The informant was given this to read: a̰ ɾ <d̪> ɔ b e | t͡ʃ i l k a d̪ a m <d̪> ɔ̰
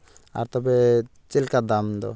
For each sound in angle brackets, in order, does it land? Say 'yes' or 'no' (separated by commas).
no, yes